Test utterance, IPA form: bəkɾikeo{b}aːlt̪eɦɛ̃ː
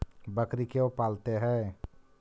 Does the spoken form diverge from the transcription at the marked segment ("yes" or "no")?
yes